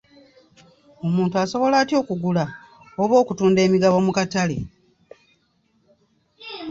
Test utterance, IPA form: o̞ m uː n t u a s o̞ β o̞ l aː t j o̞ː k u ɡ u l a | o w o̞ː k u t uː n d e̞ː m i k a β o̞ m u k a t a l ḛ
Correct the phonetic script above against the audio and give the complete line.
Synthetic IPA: o̞ m uː n t u a s o̞ β o̞ l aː t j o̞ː k u ɡ u l a | o β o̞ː k u t uː n d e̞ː m i ɡ a β o̞ m u k a t a l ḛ